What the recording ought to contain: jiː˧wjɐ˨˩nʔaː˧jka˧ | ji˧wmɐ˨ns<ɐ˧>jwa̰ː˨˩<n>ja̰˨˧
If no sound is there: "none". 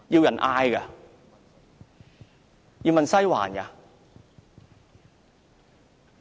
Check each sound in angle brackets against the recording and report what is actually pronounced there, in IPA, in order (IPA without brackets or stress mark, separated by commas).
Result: ɐ˥, n